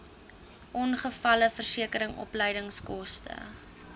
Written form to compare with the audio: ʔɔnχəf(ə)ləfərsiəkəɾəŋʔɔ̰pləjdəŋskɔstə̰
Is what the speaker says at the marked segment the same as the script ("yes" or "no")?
no